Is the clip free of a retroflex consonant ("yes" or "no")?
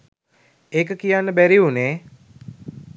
yes